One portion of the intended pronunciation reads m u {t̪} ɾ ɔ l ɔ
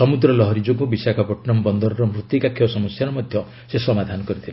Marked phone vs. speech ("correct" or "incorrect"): incorrect